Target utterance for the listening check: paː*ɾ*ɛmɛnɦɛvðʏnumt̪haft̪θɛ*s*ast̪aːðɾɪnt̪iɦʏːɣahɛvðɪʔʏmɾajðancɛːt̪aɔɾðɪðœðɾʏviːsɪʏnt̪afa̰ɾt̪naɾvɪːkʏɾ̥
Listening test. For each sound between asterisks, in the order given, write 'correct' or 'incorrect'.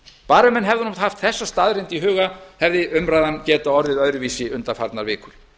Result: correct, incorrect

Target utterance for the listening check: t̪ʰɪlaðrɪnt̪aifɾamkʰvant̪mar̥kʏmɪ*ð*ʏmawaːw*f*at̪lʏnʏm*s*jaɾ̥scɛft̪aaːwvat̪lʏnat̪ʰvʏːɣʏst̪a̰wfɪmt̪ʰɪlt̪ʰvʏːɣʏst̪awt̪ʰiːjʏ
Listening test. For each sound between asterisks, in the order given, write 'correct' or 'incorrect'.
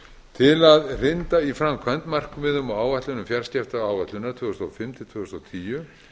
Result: correct, incorrect, incorrect

